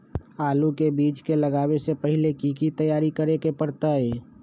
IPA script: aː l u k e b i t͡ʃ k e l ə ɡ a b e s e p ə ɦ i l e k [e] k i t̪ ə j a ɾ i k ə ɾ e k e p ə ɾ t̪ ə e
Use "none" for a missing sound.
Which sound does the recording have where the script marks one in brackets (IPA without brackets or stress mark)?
i